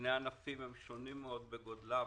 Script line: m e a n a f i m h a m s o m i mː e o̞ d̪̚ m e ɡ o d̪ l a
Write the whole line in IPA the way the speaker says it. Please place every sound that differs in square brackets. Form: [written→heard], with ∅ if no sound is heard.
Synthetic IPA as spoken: [m→n] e a n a f i m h [a→e] m [s→ʃ] o [m→n] i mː e o̞ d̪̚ [m→b] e ɡ o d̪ l a